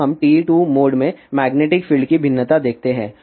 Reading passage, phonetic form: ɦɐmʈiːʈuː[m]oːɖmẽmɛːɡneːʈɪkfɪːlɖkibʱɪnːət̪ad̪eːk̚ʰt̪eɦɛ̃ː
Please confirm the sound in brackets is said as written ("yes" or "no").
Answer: yes